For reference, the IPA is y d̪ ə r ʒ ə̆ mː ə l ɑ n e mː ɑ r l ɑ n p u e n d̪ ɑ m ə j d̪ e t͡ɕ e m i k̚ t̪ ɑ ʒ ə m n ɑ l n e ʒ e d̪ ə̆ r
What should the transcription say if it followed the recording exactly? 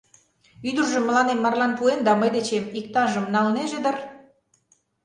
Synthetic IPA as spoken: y d̪ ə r ʒ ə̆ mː ə l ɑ n e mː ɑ r l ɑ n p u e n d̪ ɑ m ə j d̪ e t͡ɕ e m i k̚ t̪ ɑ ʒ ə m n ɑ l n e ʒ e d̪ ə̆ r